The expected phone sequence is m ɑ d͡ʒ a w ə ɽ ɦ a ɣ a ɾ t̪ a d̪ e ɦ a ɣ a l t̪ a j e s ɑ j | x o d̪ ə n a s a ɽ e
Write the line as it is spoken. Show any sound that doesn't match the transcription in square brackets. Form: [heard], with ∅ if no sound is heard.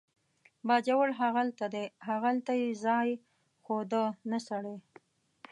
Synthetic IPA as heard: [b] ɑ d͡ʒ a w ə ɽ ɦ a ɣ a [l] t̪ a d̪ e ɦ a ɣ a l t̪ a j e [z] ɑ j | x o d̪ ə n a s a ɽ e